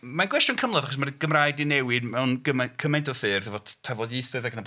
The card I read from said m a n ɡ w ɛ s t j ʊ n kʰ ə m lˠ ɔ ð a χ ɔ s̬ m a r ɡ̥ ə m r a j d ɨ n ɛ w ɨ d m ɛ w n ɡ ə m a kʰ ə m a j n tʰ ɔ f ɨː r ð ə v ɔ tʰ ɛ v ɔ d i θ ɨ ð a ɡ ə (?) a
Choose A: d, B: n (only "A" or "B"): B